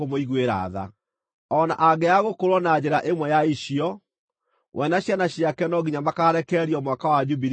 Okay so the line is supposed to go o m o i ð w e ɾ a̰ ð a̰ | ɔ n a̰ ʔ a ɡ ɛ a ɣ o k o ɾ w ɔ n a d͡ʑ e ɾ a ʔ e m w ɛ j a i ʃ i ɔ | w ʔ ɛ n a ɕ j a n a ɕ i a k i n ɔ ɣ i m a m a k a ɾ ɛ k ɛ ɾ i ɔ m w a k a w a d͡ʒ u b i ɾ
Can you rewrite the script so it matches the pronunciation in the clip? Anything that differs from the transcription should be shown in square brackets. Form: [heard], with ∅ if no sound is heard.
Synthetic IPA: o m o i [ɣ] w e ɾ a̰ ð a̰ | ɔ n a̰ ʔ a ɡ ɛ a ɣ o k o ɾ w ɔ n a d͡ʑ e ɾ a ʔ e m w ɛ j a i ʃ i ɔ | w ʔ ɛ n a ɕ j a n a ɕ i a k [ɛ] n ɔ ɣ i [ɲ] a m a k a ɾ ɛ k ɛ ɾ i ɔ m w a k a w a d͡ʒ u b i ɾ